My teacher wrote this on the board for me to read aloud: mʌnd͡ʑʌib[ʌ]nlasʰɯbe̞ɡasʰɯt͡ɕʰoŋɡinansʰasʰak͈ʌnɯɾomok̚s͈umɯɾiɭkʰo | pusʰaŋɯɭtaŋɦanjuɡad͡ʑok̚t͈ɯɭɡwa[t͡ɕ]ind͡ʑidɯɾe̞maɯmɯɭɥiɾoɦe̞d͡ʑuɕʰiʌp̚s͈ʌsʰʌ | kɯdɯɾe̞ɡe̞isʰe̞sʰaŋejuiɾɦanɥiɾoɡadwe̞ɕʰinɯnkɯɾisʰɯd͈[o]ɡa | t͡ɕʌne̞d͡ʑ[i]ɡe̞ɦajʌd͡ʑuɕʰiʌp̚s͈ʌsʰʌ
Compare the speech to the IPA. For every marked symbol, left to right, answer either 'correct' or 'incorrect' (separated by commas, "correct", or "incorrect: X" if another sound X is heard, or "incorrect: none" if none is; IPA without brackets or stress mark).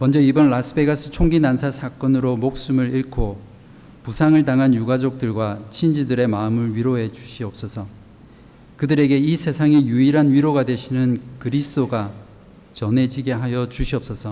correct, incorrect: t͡ɕʰ, correct, correct